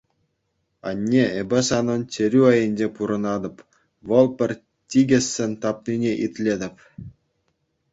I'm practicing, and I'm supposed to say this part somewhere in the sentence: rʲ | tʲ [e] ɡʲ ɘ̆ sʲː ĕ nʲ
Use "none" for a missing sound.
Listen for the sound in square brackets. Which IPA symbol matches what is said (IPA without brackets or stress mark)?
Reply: i